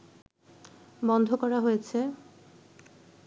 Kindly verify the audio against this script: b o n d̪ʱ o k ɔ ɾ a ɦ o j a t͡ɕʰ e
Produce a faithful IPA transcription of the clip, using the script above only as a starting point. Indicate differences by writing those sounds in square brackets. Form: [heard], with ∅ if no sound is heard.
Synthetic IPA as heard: b [ɔ] n d̪ʱ o k ɔ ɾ a ɦ o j [e] t͡ɕʰ e